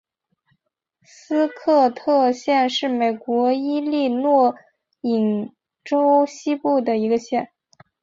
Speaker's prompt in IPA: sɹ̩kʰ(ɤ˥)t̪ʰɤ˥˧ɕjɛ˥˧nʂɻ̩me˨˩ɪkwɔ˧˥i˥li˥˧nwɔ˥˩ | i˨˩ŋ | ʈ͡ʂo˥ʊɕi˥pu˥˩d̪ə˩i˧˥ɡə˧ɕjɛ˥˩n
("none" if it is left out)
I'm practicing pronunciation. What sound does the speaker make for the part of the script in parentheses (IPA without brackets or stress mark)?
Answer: ɤ˥˧